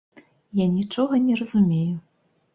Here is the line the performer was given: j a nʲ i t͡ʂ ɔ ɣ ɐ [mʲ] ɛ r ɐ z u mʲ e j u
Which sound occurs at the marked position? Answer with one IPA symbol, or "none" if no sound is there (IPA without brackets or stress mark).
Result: nʲ